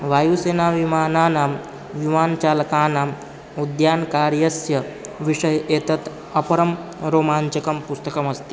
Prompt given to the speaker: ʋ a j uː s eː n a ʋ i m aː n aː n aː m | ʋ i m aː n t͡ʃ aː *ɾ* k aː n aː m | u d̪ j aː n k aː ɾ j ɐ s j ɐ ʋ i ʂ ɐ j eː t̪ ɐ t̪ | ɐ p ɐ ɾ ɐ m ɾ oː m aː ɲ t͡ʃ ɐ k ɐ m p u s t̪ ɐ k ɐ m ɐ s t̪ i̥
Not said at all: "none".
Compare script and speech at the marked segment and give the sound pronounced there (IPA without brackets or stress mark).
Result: l